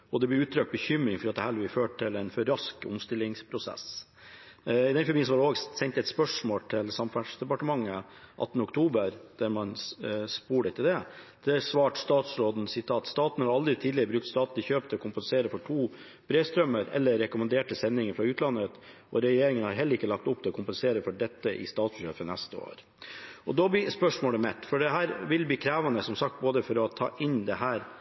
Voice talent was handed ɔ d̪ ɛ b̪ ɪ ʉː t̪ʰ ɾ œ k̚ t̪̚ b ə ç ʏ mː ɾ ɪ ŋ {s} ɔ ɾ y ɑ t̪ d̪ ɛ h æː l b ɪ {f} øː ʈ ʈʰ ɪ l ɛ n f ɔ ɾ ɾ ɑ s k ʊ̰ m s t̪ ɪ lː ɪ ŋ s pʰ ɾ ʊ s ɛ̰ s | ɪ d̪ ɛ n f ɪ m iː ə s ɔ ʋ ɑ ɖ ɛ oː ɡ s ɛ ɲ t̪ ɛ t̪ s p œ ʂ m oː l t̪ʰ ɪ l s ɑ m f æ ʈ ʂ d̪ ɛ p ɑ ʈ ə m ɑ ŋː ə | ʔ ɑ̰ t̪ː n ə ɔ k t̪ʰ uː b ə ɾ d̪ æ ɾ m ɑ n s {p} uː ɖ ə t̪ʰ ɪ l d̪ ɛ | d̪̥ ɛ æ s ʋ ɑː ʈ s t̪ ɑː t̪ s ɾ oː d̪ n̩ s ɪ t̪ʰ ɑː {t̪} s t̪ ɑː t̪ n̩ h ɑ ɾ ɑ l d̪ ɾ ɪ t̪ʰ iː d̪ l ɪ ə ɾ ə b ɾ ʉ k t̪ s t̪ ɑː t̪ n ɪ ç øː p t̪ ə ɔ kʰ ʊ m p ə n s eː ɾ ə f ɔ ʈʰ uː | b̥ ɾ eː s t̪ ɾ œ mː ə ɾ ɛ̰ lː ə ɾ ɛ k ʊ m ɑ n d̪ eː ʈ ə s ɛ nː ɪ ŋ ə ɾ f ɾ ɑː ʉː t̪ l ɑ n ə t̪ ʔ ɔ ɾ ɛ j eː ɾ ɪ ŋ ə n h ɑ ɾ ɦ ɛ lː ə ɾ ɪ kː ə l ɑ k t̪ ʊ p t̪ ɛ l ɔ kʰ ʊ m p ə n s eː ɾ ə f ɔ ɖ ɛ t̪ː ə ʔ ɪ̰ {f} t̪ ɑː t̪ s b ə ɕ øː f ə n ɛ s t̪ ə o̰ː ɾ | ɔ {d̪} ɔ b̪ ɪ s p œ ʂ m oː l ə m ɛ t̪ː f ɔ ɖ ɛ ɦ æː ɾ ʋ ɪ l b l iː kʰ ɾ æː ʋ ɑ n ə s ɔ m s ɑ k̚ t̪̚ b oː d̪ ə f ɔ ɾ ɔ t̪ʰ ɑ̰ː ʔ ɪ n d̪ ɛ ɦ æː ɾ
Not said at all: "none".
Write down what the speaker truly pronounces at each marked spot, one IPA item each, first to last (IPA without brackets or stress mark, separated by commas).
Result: f, f, p, t̪, s, d̪